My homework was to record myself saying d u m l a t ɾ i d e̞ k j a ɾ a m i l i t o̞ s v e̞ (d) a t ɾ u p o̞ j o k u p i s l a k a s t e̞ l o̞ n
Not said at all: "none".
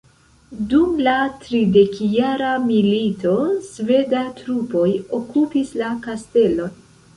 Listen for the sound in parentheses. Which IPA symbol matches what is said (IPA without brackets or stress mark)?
d